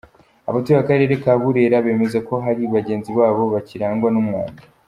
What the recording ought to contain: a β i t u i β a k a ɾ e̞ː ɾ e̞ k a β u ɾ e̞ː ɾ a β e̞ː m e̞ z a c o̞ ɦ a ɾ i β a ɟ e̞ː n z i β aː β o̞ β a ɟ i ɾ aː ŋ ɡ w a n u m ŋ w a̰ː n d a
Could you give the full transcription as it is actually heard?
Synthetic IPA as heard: a β a t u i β a k a ɾ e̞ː ɾ e̞ k a β u ɾ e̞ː ɾ a β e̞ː m e̞ z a k o̞ ɦ a ɾ i β a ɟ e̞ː n z i β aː β o̞ β a c i ɾ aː ŋ ɡ w a n u m ŋ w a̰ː n d a